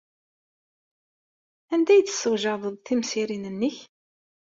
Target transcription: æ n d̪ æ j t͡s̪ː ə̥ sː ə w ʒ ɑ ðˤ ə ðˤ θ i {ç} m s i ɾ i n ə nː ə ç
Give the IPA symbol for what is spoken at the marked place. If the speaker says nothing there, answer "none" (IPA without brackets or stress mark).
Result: none